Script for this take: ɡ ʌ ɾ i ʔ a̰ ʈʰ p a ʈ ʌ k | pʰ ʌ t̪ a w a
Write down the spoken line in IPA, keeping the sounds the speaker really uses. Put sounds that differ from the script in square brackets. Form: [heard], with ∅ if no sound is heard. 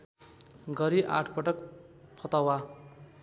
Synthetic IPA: ɡ ʌ ɾ i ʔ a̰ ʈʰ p [ʌ] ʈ ʌ k | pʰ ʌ t̪ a w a